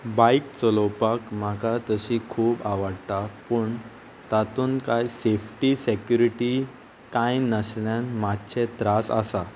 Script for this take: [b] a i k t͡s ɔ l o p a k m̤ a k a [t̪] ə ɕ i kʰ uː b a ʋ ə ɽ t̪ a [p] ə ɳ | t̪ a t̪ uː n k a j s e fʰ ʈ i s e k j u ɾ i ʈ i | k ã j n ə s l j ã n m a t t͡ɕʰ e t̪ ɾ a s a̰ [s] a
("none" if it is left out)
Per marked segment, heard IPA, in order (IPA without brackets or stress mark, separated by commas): b, t̪, p, s